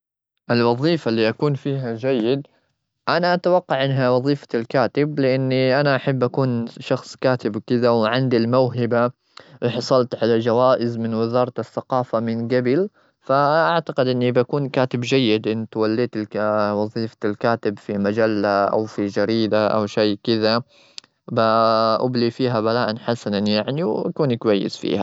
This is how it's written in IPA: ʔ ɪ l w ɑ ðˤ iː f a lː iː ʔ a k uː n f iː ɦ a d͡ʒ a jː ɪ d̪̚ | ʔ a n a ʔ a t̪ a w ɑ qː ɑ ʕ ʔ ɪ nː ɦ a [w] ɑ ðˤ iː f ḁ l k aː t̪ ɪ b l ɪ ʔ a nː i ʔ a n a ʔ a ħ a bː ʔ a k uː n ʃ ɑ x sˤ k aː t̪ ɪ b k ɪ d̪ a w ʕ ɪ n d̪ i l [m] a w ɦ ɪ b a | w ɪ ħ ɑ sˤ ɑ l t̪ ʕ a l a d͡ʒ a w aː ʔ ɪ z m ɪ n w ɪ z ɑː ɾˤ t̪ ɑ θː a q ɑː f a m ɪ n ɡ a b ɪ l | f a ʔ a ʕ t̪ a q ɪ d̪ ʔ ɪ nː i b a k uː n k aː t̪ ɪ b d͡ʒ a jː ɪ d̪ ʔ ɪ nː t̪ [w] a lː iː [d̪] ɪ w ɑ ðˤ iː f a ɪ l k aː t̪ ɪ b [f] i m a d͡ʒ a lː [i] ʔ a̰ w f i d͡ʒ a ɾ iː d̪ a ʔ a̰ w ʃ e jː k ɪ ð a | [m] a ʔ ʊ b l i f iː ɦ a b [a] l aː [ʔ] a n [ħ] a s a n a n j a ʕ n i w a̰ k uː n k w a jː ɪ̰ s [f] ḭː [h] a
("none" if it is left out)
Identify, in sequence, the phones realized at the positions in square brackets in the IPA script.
w, m, w, t̪, f, a, b, a, ʔ, ħ, f, h

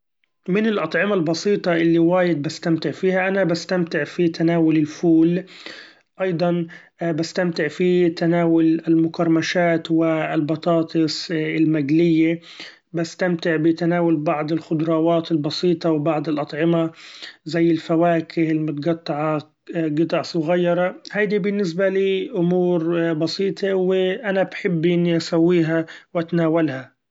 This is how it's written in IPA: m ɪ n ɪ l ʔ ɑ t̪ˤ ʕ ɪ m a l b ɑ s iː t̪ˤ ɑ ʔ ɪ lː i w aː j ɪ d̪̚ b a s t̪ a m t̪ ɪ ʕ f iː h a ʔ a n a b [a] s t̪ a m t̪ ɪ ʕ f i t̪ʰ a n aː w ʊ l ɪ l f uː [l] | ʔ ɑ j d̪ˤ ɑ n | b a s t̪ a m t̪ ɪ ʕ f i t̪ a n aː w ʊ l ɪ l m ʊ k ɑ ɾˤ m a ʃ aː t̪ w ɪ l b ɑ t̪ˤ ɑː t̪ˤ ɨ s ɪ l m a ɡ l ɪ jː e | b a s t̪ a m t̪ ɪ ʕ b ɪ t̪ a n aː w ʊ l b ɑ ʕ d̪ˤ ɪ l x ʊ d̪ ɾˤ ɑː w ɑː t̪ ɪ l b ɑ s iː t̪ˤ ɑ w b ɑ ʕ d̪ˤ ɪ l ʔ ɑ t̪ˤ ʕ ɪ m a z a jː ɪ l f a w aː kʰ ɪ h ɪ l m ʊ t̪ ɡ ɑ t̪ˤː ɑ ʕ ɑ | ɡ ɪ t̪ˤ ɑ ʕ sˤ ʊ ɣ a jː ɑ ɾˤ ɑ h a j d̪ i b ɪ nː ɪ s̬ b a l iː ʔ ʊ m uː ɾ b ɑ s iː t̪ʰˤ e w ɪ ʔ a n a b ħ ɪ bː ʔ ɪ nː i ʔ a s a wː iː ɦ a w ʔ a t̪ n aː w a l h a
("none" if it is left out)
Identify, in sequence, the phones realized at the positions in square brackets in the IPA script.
a, l

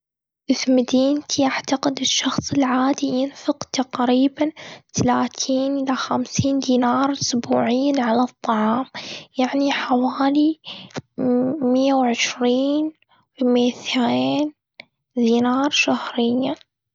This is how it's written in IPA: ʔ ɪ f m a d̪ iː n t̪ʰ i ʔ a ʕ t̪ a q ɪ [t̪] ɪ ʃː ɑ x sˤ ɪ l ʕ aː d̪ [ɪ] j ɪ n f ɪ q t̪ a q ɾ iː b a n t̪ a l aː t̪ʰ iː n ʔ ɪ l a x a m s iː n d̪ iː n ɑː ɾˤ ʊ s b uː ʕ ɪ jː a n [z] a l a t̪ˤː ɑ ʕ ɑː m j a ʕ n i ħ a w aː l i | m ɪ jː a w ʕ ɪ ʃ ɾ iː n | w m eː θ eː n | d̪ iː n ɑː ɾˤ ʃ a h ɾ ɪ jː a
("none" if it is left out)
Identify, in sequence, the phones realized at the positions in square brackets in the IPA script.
d̪, i, ʕ

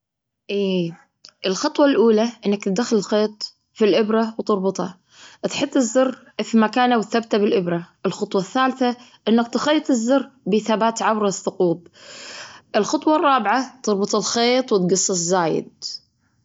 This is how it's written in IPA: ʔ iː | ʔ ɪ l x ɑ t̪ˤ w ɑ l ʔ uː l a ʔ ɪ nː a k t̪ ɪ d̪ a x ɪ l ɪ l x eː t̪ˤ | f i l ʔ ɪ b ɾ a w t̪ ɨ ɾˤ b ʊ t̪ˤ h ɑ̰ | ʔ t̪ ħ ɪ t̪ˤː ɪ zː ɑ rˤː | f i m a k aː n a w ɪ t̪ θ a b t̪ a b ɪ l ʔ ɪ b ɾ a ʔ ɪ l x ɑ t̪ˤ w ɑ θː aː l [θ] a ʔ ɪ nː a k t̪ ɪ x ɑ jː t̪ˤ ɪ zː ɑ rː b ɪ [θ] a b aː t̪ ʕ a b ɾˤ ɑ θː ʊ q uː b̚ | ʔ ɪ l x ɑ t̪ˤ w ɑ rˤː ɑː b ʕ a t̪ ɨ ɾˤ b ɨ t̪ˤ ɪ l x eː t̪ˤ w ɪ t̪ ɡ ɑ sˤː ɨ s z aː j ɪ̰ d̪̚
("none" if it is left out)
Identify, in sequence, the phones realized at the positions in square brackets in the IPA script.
θ, θ

